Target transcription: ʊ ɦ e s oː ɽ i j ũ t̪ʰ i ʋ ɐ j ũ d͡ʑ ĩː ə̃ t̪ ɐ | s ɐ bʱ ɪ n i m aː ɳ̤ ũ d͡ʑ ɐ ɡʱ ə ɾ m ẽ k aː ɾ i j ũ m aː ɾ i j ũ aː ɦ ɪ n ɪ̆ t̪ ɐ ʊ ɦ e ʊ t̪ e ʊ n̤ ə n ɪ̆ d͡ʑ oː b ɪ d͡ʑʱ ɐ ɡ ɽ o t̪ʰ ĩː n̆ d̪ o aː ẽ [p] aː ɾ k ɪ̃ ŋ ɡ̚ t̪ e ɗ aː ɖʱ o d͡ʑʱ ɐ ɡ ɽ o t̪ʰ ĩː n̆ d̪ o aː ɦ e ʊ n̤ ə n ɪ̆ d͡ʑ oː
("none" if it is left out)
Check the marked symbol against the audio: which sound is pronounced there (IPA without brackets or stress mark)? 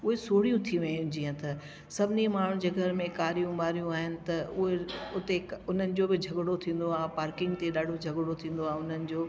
p